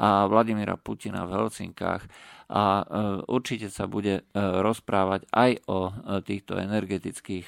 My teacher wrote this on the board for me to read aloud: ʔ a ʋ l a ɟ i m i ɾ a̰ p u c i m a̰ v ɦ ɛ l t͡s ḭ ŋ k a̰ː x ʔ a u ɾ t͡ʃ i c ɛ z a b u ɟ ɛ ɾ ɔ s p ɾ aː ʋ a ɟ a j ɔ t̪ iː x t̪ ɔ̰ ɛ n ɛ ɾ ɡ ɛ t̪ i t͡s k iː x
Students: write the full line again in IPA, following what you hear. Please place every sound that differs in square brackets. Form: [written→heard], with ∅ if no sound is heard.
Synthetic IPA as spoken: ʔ a ʋ l a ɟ i m i ɾ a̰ p u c i [m→n] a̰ v ɦ ɛ l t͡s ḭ ŋ k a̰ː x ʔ a u ɾ t͡ʃ i c ɛ [z→s] a b u ɟ ɛ ɾ ɔ s p ɾ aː ʋ a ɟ a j ɔ t̪ iː x t̪ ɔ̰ ɛ n ɛ ɾ ɡ ɛ t̪ i t͡s k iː x